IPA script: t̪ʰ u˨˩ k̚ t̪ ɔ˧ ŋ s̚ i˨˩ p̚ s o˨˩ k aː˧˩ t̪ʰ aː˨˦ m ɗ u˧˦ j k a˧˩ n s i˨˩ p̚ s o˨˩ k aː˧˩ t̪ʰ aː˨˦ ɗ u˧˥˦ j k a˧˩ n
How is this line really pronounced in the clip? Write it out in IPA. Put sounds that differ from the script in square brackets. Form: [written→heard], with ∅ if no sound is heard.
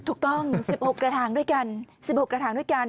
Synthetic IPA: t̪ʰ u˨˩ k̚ t̪ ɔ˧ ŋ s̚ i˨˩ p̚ [s→h] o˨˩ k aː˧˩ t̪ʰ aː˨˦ [m→ŋ] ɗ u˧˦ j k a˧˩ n s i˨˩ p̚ [s→h] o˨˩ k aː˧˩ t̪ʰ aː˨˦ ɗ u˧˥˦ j k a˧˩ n